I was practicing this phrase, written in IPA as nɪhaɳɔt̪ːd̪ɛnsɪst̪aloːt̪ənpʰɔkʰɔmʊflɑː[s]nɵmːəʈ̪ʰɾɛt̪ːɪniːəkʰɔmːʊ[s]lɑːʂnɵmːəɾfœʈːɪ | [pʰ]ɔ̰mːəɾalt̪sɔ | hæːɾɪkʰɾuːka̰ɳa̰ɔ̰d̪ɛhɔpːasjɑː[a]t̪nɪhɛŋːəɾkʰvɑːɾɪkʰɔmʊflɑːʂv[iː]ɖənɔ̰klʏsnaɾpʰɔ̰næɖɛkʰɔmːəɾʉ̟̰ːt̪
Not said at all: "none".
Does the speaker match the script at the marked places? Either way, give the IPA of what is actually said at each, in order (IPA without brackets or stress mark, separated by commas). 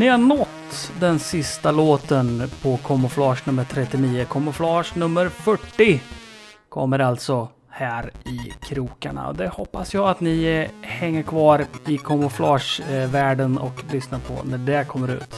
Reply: ʂ, f, kʰ, a, æː